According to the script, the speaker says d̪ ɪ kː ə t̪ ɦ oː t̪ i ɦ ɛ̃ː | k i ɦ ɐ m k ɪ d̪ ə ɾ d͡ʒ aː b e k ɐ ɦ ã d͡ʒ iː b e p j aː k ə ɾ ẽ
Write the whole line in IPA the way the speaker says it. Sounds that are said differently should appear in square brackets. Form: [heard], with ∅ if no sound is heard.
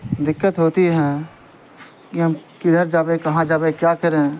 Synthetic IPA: d̪ ɪ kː ə t̪ ɦ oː t̪ i ɦ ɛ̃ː | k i ɦ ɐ m k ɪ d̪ ə ɾ d͡ʒ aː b e k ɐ ɦ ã d͡ʒ [aː] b e [k] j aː k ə ɾ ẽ